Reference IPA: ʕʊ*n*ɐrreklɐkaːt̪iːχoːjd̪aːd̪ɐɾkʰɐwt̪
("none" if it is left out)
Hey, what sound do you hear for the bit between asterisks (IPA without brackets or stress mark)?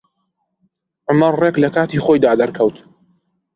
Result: m